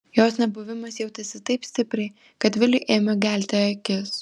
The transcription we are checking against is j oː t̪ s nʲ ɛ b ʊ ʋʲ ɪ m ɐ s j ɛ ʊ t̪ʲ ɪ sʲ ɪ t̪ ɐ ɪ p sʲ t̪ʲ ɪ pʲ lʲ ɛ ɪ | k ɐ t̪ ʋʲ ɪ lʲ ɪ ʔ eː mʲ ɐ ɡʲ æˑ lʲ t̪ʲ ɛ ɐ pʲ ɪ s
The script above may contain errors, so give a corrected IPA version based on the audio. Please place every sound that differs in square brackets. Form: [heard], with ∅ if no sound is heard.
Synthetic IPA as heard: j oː [∅] s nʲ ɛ b ʊ ʋʲ ɪ m ɐ s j ɛ ʊ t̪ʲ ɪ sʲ ɪ t̪ ɐ ɪ p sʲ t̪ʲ ɪ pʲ [ɾʲ] ɛ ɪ | k ɐ t̪ ʋʲ ɪ lʲ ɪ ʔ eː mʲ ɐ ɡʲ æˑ lʲ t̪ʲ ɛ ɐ [kʲ] ɪ s